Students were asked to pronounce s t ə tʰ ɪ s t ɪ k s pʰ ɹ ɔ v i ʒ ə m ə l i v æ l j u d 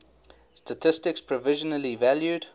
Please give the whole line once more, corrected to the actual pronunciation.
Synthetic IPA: s t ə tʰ ɪ s t ɪ k s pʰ ɹ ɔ v ɪ ʒ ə n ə l i v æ l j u d